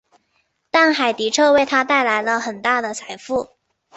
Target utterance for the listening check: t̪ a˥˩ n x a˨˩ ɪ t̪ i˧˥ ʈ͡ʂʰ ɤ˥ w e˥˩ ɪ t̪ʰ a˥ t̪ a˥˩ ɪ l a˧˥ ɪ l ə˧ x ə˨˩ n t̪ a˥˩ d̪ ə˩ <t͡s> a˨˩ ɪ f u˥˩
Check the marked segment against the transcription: incorrect: t͡sʰ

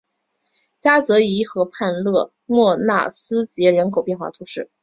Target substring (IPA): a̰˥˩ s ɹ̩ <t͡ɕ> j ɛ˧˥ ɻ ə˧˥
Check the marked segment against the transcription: correct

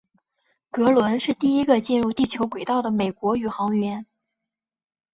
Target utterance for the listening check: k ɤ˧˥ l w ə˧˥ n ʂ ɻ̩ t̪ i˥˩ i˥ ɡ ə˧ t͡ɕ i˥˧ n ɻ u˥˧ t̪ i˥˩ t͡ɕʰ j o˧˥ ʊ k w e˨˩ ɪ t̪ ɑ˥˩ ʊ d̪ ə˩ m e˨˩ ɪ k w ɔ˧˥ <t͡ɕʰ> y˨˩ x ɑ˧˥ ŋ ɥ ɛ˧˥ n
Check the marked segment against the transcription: incorrect: none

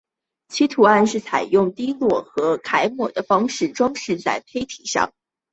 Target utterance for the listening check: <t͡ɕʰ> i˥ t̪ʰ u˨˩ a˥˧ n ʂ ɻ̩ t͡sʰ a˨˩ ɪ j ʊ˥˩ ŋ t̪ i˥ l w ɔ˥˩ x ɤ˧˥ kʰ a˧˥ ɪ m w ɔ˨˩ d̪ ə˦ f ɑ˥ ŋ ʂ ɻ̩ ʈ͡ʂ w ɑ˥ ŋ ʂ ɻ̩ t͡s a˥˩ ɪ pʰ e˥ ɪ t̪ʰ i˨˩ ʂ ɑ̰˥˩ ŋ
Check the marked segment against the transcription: correct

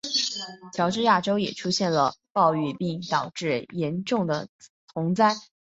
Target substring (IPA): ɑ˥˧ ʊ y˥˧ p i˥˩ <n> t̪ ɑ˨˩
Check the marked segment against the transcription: incorrect: ŋ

